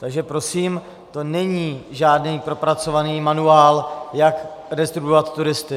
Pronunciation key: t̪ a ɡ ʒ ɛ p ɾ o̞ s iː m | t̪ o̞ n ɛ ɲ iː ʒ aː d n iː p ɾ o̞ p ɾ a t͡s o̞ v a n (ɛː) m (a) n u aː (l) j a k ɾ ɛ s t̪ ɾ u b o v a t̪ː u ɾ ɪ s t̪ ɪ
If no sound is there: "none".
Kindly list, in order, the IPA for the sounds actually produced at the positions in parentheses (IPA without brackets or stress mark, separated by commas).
iː, a, l